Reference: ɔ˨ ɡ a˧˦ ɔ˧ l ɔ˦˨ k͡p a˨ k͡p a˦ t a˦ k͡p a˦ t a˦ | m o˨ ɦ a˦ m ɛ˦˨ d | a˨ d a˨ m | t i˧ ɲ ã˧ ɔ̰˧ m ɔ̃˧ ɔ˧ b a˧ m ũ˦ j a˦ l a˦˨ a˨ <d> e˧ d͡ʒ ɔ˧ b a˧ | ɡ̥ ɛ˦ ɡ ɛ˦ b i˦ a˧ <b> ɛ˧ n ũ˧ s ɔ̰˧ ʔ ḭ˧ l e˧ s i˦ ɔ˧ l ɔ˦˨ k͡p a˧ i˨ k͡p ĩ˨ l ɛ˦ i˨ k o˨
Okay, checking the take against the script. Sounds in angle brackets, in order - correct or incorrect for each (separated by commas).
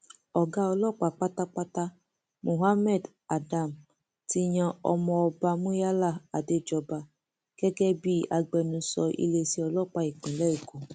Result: correct, incorrect